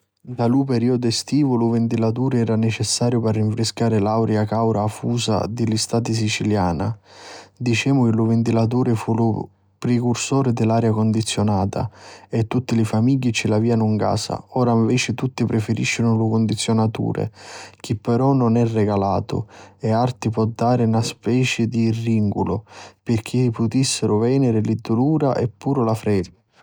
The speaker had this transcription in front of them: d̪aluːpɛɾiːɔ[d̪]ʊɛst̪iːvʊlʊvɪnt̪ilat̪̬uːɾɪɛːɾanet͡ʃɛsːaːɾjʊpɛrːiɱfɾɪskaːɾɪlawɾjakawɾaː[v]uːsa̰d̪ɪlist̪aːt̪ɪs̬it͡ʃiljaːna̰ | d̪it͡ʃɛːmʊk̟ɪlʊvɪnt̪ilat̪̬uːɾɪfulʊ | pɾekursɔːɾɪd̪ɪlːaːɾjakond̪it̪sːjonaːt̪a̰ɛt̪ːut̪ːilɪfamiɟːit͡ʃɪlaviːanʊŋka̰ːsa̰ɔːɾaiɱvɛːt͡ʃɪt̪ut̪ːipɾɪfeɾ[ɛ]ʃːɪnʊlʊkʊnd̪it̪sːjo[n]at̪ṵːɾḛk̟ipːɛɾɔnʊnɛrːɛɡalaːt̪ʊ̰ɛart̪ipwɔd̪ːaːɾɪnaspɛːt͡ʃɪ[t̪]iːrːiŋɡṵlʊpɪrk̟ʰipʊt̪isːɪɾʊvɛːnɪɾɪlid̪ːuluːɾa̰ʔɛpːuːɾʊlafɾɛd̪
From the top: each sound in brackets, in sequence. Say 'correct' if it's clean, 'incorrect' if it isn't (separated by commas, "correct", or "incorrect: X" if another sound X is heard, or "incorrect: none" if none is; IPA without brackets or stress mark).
correct, incorrect: f, incorrect: i, correct, incorrect: d̪